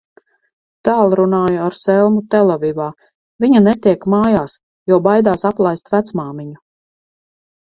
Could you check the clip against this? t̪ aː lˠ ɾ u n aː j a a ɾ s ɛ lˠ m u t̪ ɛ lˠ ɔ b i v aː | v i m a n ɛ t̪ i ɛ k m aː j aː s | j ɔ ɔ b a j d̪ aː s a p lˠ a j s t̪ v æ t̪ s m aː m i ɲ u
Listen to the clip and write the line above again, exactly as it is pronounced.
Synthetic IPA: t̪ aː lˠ ɾ u n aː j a a ɾ s ɛ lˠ m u t̪ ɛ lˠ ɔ v i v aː | v i ɲ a n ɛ t̪ i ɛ k m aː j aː s | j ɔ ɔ b a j d̪ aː s a p lˠ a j s t̪ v æ t̪ s m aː m i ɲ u